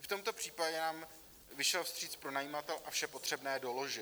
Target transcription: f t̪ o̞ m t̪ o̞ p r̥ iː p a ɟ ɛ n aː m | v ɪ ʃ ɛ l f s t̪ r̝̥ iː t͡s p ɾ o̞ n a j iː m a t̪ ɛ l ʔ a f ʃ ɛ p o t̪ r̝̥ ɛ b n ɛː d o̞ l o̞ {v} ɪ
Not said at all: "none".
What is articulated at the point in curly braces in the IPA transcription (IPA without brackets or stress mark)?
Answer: ʒ